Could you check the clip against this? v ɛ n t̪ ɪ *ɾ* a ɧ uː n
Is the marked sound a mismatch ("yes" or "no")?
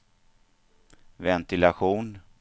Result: yes